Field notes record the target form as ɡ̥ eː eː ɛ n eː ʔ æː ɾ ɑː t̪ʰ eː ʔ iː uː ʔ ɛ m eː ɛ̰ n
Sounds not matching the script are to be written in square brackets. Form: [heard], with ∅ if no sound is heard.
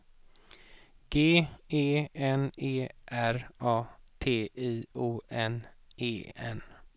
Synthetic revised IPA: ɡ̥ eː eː ɛ n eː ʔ [æ] ɾ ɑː t̪ʰ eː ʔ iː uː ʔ ɛ [n] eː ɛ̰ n